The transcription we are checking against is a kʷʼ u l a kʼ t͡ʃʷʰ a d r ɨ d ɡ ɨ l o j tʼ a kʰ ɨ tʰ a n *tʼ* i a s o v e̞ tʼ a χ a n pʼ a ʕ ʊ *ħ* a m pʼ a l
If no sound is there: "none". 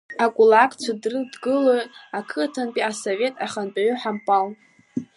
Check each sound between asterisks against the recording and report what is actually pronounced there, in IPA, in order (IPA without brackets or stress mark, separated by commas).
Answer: pʼ, ħ